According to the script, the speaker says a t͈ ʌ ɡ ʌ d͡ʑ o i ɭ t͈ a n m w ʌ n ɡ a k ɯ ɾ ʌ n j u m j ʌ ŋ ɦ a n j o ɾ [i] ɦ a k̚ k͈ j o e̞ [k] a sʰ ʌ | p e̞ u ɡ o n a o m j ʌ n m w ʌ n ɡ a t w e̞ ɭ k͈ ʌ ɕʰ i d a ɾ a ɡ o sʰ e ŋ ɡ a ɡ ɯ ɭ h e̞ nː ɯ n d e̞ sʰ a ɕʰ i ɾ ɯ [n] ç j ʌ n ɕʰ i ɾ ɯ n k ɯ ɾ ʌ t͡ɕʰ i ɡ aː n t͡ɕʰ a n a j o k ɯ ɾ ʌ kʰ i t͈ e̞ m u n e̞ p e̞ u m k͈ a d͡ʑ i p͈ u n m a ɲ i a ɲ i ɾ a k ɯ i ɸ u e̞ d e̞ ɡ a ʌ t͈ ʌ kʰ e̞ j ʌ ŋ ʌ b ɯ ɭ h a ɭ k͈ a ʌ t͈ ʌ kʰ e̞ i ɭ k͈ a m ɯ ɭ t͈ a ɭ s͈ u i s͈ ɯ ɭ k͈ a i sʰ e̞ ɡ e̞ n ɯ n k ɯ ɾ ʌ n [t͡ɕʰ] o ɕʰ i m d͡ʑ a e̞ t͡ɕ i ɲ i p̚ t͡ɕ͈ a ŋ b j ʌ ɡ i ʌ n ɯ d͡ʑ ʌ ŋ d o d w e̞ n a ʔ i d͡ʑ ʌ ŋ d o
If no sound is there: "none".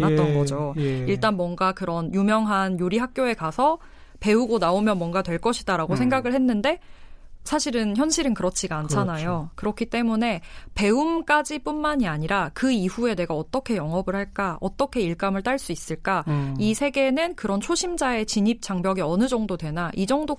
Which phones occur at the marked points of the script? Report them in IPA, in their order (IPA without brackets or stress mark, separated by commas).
i, k, n, t͡ɕʰ